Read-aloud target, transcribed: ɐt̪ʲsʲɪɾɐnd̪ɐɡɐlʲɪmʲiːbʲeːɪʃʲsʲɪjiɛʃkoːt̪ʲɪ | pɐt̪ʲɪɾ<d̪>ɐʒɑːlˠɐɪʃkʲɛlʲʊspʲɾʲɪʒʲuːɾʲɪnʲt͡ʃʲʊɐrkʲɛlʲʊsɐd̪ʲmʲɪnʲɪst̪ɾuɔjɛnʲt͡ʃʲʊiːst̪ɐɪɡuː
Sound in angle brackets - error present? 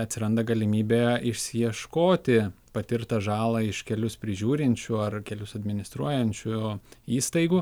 yes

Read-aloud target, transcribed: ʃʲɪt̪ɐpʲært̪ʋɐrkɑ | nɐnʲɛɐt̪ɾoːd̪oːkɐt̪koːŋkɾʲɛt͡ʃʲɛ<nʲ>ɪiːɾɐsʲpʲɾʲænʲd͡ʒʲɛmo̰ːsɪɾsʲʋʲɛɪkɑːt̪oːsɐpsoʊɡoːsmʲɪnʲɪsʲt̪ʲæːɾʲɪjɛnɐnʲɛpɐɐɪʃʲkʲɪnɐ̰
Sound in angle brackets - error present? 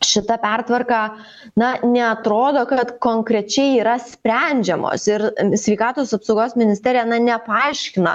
yes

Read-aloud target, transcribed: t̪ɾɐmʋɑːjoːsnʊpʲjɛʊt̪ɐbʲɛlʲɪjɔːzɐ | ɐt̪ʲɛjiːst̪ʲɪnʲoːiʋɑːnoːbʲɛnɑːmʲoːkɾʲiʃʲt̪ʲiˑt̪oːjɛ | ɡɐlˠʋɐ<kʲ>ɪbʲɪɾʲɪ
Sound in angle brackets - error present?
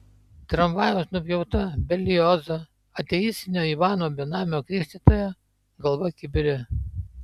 no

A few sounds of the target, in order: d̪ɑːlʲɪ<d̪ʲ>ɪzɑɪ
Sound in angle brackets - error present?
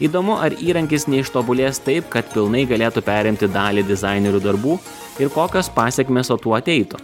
no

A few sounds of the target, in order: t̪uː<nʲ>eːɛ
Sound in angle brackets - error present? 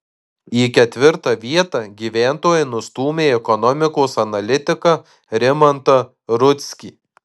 yes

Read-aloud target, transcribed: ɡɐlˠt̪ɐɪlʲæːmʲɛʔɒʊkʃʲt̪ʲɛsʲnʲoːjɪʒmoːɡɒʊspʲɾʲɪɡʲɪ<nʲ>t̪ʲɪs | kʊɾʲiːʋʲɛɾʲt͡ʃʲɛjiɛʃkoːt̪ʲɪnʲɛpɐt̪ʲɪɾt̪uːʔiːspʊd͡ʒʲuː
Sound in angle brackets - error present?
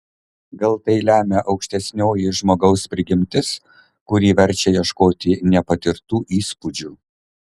yes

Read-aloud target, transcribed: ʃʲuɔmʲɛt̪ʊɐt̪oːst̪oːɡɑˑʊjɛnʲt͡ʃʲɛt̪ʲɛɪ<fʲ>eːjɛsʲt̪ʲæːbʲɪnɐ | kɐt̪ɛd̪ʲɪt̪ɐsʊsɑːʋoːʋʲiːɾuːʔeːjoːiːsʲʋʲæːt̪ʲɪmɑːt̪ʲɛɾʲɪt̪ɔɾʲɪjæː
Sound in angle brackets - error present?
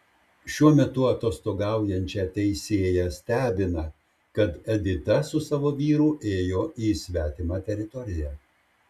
yes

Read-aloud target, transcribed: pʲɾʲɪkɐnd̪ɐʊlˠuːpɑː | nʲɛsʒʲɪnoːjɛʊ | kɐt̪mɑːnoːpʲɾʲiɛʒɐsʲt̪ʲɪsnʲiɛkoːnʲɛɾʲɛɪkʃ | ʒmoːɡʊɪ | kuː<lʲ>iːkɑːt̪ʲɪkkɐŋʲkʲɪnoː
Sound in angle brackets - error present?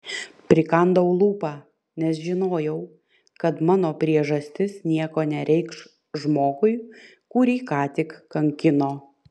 yes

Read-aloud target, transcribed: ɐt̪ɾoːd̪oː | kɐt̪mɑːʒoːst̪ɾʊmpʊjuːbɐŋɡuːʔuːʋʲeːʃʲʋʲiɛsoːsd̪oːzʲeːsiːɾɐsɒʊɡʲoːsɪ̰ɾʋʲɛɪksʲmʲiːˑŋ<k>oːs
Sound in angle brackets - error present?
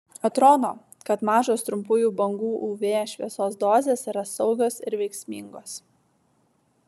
yes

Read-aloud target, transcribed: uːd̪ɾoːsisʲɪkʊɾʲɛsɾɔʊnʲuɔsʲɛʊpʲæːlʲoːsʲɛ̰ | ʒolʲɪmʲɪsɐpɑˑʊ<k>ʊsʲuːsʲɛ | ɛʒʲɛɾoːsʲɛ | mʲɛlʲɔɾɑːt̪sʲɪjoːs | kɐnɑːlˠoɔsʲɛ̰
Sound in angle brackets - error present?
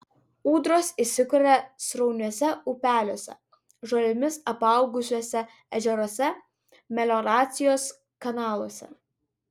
yes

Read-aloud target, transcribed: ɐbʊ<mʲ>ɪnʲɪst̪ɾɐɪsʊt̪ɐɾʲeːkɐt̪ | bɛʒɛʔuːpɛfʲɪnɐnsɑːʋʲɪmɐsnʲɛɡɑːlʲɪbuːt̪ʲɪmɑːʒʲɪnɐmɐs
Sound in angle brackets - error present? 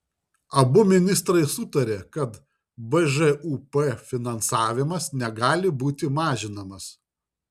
no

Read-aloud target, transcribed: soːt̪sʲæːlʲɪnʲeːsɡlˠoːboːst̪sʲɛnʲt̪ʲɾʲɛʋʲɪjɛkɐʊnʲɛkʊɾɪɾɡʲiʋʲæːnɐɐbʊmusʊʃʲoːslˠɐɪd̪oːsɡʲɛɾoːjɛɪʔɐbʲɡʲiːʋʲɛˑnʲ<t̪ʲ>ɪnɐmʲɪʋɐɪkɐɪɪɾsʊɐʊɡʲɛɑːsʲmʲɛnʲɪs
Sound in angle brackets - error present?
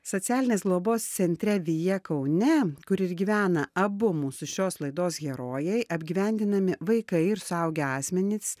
yes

